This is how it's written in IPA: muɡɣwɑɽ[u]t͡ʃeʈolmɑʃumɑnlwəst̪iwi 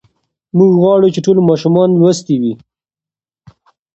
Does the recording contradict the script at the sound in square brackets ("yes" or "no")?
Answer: no